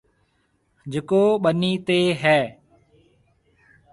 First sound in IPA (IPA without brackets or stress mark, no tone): d͡ʒ